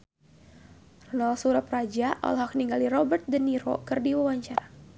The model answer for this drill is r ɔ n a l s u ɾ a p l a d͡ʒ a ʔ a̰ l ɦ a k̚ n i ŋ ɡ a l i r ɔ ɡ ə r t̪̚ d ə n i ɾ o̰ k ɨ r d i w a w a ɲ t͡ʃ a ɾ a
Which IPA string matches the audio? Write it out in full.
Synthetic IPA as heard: r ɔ n a l s u ɾ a p r a d͡ʒ a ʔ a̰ l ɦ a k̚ n i ŋ ɡ a l i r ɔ b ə r t̪̚ d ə n i ɾ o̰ k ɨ r d i w a w a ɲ t͡ʃ a ɾ a